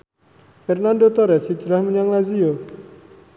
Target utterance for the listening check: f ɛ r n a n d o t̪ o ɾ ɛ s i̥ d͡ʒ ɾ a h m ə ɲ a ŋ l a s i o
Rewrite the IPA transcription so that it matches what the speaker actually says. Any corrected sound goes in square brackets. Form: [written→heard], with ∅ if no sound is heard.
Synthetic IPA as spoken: f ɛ r n a n d o t̪ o ɾ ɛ s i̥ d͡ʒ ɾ a h m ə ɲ a ŋ l a [s→z] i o